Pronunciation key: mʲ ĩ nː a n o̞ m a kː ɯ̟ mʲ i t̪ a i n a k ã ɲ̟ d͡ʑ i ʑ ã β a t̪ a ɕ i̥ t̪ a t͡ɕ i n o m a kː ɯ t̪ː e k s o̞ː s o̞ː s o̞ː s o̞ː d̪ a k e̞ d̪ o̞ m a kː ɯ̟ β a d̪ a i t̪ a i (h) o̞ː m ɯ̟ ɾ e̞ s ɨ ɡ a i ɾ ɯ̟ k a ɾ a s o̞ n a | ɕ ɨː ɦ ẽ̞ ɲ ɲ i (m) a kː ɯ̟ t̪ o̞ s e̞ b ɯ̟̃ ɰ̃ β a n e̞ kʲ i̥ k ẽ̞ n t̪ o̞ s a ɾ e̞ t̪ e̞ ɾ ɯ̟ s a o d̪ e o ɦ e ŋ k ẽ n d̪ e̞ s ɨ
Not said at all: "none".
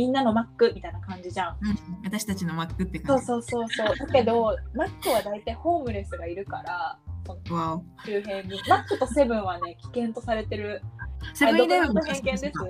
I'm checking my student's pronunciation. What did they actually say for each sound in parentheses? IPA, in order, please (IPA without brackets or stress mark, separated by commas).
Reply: h, m